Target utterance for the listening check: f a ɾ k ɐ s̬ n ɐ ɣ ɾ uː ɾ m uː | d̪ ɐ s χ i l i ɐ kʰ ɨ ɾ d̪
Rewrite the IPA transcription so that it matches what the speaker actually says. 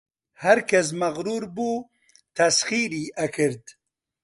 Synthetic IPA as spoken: h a ɾ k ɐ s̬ m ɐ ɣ ɾ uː ɾ b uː | t̪ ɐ s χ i ɾ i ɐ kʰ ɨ ɾ d̪